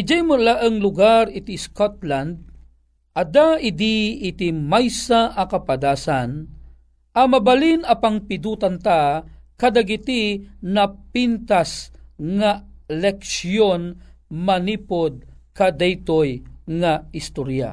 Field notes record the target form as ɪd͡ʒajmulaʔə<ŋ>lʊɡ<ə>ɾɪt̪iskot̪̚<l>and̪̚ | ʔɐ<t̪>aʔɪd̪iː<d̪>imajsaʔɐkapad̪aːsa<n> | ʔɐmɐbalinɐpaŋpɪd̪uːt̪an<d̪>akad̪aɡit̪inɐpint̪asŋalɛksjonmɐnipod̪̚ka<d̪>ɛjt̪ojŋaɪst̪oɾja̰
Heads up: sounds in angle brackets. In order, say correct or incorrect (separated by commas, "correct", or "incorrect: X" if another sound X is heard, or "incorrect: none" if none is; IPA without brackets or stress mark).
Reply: correct, incorrect: a, correct, incorrect: d̪, incorrect: t̪, correct, incorrect: t̪, correct